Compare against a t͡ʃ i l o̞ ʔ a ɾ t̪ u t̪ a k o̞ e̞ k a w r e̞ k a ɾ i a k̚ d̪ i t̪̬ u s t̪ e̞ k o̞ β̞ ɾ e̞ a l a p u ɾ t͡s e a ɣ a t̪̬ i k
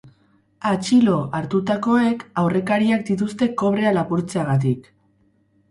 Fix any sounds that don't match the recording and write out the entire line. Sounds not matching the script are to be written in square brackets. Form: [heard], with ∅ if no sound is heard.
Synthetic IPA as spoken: a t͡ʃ i l o̞ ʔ a ɾ t̪ u t̪ a k o̞ e̞ k a w r e̞ k a ɾ i a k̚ d̪ i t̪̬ u s t̪ e̞ k o̞ β̞ ɾ e̞ a l a p u ɾ t͡s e a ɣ a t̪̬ i k

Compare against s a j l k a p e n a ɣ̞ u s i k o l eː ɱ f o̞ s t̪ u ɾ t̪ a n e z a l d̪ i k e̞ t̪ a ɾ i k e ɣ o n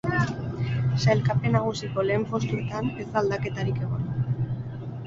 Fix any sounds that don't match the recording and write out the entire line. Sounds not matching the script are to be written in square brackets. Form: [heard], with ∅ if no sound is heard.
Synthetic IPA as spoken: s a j l k a p e n a ɣ̞ u s i k o l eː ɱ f o̞ s t̪ u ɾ t̪ a n e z a l d̪ [a] k e̞ t̪ a ɾ i k e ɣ o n

